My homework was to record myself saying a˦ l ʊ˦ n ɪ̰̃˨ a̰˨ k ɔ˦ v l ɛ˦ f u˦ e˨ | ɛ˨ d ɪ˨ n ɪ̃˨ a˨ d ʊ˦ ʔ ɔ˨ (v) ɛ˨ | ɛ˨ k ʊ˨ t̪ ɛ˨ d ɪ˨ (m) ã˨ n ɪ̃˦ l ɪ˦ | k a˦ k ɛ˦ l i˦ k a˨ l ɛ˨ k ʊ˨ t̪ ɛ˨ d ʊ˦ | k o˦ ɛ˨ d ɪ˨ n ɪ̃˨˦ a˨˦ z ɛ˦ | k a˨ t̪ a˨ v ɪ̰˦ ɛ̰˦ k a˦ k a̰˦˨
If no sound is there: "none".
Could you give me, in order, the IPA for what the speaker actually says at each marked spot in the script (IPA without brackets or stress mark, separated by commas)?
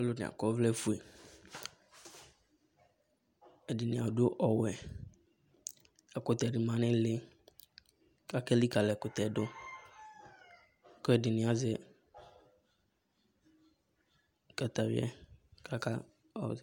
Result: w, m